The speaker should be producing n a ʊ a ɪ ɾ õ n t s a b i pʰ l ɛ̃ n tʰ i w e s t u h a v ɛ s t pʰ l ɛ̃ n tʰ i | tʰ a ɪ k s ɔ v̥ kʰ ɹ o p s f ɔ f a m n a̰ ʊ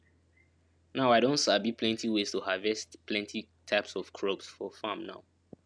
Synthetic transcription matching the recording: n a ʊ a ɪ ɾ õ n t s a b i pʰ l ɛ̃ n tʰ i w e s t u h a v ɛ s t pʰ l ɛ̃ n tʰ i | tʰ a ɪ p s ɔ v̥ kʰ ɹ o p s f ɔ f a m n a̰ ʊ